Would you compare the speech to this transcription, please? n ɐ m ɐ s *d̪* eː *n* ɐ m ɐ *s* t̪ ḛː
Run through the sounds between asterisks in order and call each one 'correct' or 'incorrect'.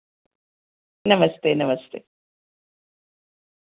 incorrect: t̪, correct, correct

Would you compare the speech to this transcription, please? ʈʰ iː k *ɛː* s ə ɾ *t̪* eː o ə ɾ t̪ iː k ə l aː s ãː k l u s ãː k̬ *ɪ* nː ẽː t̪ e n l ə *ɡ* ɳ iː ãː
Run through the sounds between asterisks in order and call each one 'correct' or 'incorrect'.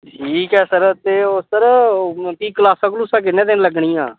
correct, correct, correct, correct

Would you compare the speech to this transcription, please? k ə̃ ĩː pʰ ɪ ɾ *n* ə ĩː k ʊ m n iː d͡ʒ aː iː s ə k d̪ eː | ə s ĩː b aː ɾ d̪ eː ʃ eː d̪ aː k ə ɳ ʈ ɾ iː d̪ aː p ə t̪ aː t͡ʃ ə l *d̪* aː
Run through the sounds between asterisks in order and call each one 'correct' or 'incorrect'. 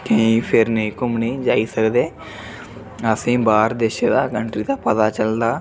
correct, correct

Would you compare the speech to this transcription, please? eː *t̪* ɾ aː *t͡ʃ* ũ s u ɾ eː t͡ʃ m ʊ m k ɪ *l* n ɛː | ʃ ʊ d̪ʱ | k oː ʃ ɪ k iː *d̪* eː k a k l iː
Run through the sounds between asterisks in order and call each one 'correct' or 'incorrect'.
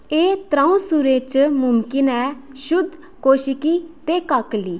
correct, incorrect: none, incorrect: none, incorrect: t̪

